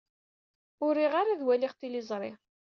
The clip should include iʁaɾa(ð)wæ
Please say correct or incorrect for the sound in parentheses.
correct